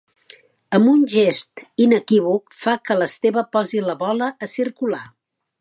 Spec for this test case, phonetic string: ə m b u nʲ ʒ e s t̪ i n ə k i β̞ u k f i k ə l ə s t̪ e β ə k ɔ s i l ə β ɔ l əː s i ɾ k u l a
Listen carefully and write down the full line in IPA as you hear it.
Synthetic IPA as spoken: ə m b u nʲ ʒ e s t̪ i n ə k i β̞ u k f a k ə l ə s t̪ e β ə p ɔ z i l ə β ɔ l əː s i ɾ k u l a